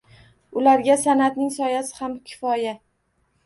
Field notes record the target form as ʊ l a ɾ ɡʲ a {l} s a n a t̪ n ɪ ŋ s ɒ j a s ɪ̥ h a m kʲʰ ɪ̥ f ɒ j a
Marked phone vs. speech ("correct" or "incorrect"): incorrect